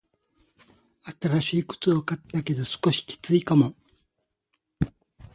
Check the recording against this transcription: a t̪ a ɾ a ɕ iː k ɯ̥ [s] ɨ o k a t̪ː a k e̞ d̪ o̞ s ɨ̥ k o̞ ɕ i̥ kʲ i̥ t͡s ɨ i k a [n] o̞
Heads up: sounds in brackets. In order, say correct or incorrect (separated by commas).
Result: incorrect, incorrect